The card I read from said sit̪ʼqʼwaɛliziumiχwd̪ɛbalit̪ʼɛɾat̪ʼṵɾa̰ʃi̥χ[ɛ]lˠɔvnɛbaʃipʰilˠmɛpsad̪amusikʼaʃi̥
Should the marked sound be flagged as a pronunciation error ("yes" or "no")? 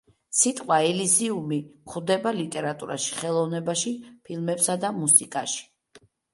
no